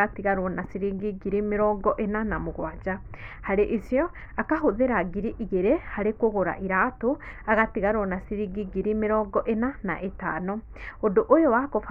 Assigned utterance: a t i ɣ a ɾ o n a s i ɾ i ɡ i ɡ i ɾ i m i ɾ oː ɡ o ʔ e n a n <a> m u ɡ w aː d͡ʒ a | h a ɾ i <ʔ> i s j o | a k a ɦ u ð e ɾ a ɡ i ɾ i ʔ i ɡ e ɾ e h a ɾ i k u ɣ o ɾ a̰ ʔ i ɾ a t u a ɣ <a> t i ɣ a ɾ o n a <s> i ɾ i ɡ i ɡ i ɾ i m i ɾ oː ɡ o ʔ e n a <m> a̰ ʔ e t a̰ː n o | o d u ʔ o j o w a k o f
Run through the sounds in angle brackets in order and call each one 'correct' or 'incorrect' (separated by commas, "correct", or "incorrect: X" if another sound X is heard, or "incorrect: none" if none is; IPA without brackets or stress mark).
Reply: correct, correct, correct, correct, incorrect: n